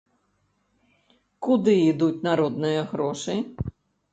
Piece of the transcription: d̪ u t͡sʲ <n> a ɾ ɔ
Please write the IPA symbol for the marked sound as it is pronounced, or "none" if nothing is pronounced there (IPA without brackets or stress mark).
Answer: n